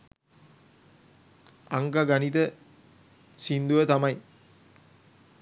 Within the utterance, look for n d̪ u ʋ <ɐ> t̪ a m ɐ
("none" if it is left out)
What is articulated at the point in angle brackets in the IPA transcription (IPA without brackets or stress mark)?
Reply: ə